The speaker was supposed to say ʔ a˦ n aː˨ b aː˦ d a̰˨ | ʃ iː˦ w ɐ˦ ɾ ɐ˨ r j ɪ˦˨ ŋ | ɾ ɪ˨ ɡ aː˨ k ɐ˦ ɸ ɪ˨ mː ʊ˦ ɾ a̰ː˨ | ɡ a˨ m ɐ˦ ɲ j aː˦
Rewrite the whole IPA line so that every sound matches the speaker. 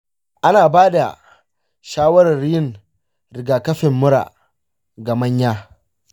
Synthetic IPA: ʔ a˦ n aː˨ b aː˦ d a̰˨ | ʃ aː˦ w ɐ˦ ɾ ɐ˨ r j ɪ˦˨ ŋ | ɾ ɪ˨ ɡ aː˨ k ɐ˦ ɸ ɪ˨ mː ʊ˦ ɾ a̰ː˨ | ɡ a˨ m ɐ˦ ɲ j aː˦